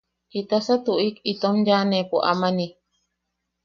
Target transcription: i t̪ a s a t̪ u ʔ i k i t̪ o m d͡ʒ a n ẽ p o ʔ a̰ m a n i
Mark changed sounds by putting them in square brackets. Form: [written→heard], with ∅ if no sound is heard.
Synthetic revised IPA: i t̪ a s a t̪ u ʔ i k i t̪ o m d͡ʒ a n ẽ p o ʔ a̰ m a n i